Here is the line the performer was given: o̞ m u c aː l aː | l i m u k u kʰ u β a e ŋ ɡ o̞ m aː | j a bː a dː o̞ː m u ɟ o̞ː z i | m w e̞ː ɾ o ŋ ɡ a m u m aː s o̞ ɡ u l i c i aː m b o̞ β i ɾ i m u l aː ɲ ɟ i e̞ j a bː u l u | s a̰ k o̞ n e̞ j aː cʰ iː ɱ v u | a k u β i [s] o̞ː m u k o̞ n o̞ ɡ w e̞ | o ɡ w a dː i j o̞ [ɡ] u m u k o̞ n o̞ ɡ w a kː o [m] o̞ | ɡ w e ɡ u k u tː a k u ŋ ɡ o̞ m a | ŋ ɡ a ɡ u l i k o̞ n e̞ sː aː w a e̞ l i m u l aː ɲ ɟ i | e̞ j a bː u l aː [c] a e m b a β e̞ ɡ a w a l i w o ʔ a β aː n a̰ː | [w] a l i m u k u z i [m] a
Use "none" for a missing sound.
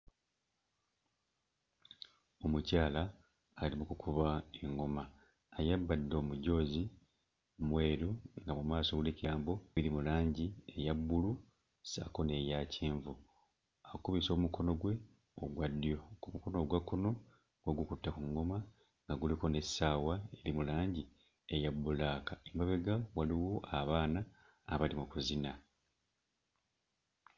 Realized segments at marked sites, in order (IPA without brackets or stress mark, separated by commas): s, k, n, k, β, n